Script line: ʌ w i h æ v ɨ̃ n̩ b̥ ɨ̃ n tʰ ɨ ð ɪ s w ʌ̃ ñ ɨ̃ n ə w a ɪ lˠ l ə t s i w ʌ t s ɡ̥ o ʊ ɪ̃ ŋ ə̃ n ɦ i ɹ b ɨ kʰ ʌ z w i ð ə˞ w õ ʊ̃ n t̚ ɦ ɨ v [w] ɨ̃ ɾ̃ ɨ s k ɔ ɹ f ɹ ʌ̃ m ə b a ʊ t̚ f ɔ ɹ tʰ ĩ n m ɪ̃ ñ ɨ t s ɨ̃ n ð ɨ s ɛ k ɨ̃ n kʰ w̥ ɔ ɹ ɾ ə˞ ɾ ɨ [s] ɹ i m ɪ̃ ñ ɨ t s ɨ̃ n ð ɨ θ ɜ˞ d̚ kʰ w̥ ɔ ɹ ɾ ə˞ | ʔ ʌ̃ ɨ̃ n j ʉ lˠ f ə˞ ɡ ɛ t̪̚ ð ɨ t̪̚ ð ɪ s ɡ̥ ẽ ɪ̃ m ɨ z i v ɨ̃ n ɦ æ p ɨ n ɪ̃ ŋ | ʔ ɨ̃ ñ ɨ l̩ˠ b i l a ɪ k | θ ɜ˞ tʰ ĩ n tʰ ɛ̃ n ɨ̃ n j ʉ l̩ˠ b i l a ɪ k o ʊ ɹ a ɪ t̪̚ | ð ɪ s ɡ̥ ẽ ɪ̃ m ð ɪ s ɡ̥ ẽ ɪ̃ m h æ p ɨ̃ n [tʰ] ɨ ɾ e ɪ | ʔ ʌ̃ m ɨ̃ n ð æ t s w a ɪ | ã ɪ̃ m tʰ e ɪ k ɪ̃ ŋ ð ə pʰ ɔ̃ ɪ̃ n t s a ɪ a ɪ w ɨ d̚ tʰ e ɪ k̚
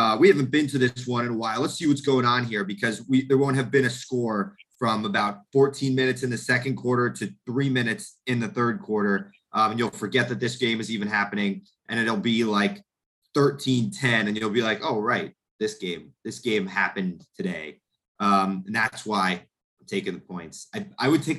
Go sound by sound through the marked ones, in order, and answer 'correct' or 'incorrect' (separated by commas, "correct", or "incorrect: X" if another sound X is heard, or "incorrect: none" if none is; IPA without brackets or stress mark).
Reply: incorrect: b, incorrect: θ, correct